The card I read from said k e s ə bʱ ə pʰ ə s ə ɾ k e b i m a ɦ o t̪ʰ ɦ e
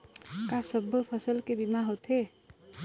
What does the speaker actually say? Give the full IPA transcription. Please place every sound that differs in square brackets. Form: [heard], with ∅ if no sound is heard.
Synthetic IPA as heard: k [a] s ə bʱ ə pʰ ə s ə [l] k e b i m a ɦ o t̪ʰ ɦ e